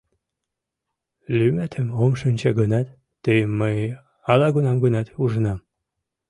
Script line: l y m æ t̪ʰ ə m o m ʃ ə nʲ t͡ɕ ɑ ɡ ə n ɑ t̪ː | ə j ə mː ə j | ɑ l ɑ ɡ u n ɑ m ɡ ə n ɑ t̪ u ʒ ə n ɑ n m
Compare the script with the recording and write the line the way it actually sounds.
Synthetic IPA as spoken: l y m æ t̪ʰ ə m o m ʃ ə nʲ t͡ɕ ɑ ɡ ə n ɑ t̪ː | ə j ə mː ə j | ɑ l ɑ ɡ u n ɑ m ɡ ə n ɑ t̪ u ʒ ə n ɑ m